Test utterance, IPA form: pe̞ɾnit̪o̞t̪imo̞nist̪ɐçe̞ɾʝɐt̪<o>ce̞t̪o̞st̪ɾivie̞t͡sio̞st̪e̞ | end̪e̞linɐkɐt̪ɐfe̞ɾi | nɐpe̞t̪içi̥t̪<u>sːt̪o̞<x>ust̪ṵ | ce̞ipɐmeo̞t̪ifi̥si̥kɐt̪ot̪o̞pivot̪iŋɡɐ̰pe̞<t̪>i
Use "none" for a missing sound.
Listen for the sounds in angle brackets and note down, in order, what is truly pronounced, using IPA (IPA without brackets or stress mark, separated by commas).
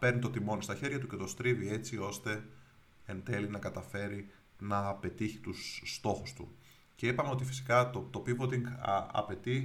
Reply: u, u, x, t̪